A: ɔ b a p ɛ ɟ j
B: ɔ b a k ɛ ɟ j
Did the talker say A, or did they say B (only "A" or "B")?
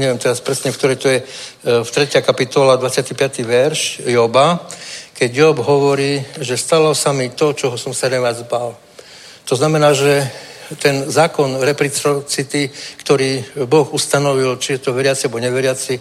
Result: B